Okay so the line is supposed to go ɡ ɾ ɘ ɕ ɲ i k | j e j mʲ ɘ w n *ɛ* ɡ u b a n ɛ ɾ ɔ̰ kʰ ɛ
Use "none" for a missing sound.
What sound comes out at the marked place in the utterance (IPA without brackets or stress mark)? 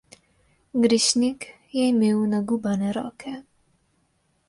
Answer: a